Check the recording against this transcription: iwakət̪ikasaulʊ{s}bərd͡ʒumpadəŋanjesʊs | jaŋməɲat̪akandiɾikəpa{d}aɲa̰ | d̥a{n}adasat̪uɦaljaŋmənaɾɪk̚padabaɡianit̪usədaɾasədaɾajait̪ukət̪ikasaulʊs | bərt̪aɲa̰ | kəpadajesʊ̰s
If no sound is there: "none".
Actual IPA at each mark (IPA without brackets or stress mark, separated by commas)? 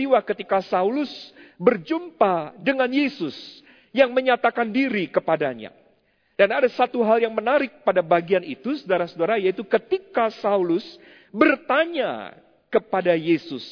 s, d, n